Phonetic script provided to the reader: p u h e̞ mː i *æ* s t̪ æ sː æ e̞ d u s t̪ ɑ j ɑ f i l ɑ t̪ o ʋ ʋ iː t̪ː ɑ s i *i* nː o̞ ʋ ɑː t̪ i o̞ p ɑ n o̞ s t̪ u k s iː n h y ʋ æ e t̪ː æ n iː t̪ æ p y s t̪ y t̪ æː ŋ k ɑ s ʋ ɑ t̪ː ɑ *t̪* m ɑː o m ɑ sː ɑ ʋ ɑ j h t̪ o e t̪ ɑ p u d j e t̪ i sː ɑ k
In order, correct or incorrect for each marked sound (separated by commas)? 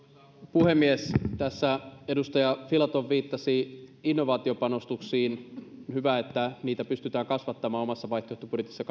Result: incorrect, correct, incorrect